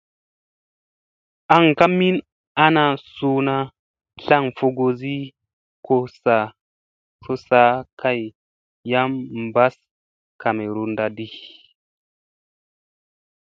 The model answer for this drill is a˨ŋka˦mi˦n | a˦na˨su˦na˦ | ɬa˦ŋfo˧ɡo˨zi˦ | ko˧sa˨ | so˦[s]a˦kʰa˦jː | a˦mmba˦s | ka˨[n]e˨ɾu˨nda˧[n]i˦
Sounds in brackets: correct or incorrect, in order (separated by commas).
correct, incorrect, incorrect